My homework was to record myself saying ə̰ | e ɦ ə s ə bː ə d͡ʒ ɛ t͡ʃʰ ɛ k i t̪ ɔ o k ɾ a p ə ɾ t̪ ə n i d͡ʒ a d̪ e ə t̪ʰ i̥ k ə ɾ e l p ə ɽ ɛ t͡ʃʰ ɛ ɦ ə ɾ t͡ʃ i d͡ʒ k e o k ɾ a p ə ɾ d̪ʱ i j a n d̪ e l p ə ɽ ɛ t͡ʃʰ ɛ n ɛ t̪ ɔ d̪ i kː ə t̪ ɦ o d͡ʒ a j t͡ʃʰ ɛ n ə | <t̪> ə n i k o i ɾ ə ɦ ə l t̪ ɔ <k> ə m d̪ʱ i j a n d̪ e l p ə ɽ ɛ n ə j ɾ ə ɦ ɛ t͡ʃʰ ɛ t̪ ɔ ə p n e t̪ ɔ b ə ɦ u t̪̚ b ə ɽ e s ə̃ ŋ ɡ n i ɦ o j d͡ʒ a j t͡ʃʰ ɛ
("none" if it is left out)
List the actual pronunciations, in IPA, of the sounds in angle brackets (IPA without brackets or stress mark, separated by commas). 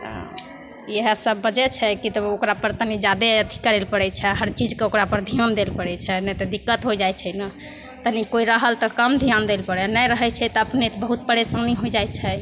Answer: t̪, k